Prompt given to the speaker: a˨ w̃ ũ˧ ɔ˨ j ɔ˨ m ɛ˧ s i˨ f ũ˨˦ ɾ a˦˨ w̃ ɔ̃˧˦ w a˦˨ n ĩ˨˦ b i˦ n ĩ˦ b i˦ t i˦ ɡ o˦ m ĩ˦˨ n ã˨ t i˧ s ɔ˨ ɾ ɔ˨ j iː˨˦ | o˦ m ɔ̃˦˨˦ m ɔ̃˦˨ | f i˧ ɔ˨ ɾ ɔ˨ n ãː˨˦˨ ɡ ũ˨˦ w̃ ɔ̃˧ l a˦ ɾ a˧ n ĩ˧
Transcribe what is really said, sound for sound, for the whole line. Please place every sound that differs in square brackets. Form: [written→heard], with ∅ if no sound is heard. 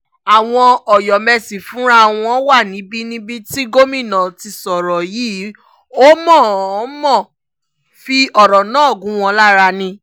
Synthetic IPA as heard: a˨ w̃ [ũ˧→ɔ̃˧] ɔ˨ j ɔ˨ m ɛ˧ s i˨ f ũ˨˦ ɾ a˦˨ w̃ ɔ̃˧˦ w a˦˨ n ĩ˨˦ b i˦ n ĩ˦ b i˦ t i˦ ɡ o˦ m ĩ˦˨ n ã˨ t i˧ s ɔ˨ ɾ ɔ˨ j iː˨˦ | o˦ m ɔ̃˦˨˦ m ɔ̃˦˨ | f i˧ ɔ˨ ɾ ɔ˨ n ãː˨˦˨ ɡ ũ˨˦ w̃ ɔ̃˧ l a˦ ɾ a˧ n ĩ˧